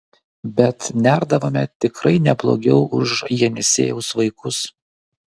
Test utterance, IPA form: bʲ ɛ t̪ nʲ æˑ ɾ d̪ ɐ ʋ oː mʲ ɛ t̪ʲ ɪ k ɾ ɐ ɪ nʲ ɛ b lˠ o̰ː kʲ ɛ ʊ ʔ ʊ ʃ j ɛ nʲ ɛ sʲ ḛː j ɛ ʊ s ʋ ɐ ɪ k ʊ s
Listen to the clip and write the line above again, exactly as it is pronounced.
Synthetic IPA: bʲ ɛ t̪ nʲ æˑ ɾ d̪ ɐ ʋ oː mʲ ɛ t̪ʲ ɪ k ɾ ɐ ɪ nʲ ɛ b lˠ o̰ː ɡʲ ɛ ʊ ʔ ʊ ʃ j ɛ nʲ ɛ sʲ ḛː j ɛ ʊ s ʋ ɐ ɪ k ʊ s